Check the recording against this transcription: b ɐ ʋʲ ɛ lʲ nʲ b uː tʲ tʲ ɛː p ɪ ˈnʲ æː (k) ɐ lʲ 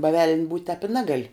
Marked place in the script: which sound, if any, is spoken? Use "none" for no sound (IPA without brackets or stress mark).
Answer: ɡ